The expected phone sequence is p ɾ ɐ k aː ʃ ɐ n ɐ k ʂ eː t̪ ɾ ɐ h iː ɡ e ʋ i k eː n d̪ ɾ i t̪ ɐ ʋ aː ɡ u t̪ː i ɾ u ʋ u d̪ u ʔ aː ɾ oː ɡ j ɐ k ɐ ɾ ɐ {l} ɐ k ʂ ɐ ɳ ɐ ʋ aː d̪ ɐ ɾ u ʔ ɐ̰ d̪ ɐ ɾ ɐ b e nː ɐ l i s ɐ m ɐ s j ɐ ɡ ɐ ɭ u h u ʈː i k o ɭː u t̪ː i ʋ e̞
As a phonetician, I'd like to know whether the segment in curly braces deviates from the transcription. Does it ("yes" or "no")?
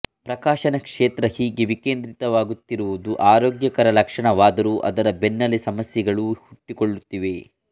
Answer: no